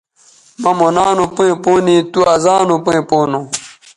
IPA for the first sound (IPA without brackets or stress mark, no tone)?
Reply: m